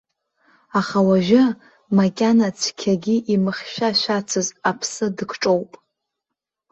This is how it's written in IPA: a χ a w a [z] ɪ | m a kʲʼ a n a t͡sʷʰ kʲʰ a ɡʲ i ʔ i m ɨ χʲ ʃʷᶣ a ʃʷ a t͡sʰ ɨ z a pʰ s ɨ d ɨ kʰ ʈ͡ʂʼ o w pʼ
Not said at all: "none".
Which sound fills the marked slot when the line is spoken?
ʒ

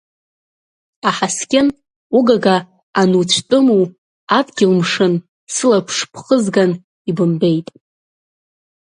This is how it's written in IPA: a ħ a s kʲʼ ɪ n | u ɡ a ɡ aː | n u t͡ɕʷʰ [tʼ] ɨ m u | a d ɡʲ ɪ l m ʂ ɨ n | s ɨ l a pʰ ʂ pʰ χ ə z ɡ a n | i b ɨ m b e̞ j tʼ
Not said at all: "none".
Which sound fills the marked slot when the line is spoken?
tʼ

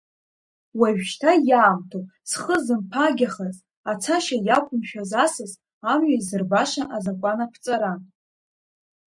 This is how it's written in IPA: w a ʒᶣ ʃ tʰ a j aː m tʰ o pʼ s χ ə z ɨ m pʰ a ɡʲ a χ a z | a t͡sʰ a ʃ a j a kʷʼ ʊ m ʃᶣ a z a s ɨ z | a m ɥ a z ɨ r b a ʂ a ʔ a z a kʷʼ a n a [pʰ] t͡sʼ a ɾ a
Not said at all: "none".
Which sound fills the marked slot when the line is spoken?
pʰ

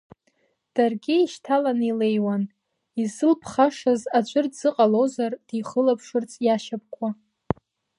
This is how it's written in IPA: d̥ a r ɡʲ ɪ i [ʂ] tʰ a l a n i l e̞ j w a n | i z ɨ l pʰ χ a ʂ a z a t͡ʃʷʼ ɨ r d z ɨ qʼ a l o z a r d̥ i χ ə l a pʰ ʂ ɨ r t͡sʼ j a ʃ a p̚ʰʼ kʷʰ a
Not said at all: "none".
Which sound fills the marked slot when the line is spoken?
ʃ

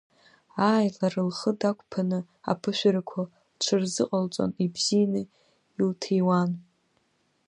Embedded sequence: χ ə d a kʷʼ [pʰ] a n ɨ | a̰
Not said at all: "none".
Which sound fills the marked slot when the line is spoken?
pʰ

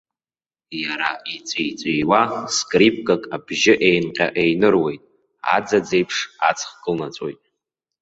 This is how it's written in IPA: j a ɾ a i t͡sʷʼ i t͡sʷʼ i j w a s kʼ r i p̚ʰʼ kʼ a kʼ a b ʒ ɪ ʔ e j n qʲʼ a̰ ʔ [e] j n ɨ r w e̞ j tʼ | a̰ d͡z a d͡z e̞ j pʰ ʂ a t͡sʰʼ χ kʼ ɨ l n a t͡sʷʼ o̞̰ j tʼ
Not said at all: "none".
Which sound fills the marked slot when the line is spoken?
e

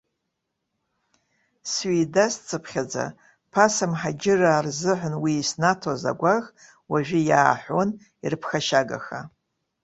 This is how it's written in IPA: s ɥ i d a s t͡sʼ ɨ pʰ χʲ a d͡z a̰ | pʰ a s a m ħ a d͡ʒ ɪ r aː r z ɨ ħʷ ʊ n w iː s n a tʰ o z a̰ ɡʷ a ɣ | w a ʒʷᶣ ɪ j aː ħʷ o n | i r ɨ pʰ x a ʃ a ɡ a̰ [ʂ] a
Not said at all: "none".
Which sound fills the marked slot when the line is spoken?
x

